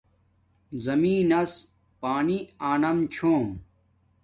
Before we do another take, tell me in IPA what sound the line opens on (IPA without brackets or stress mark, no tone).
z